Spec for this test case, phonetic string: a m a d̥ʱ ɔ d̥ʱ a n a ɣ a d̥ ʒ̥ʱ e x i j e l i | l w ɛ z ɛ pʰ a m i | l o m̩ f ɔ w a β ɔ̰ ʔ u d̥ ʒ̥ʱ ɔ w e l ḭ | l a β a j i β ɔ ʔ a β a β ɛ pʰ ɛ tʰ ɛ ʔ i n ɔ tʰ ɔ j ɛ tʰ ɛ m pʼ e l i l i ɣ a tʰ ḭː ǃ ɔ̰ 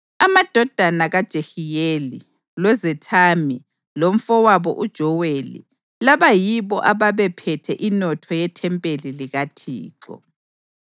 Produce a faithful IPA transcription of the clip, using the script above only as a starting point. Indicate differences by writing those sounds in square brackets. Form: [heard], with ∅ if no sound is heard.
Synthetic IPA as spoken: a m a d̥ʱ ɔ d̥ʱ a n a ɣ a d̥ ʒ̥ʱ e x i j e l i | l w ɛ z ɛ [tʰ] a m i | l o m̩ f ɔ w a β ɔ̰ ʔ u d̥ ʒ̥ʱ ɔ w e l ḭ | l a β a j i β ɔ ʔ a β a β ɛ pʰ ɛ tʰ ɛ ʔ i n ɔ tʰ ɔ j ɛ tʰ ɛ m pʼ e l i l i ɣ a tʰ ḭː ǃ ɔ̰